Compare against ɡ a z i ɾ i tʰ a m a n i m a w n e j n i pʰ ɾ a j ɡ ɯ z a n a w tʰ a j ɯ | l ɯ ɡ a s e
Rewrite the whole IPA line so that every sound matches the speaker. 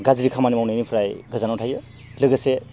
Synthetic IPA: ɡ a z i ɾ i kʰ a m a n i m a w n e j n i pʰ ɾ a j ɡ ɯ z a n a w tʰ a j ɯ | l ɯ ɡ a s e